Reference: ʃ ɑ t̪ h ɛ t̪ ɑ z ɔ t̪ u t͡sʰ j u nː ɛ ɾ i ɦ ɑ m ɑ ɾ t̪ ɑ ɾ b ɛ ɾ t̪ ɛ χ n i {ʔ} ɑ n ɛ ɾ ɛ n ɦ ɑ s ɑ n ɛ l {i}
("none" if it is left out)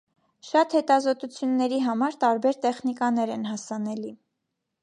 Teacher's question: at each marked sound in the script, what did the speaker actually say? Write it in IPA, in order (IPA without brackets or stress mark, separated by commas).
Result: k, i